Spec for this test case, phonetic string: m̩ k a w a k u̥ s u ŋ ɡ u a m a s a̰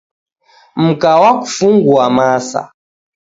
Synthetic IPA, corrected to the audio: m̩ k a w a k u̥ f u ŋ ɡ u a m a s a̰